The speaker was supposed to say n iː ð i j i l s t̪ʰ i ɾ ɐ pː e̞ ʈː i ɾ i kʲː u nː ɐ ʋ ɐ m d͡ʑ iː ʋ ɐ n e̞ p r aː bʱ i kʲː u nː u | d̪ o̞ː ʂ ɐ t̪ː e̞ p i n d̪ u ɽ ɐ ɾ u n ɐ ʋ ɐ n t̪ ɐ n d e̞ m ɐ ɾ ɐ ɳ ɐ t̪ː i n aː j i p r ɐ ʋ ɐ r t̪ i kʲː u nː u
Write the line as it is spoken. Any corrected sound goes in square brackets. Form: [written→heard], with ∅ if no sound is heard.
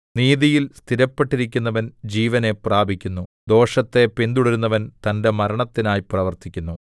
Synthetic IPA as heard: n iː ð i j i l s t̪ʰ i ɾ ɐ pː e̞ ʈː i ɾ i kʲː u nː ɐ ʋ ɐ [m→n] d͡ʑ iː ʋ ɐ n e̞ p r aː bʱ i kʲː u nː u | d̪ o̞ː ʂ ɐ t̪ː e̞ p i n d̪ u ɽ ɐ ɾ u [n→nː] ɐ ʋ ɐ n t̪ ɐ n d e̞ m ɐ ɾ ɐ ɳ ɐ t̪ː i n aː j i p r ɐ ʋ ɐ r t̪ i kʲː u nː u